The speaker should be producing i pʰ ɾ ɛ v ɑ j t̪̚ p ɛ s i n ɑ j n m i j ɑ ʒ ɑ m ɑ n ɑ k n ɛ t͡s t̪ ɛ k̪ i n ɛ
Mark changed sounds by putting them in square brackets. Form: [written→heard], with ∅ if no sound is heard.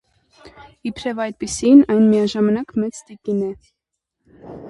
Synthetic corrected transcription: i pʰ ɾ ɛ v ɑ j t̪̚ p [ɛ→i] s i n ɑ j n m i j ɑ ʒ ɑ m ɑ n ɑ k [n→m] ɛ t͡s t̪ [ɛ→i] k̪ i n ɛ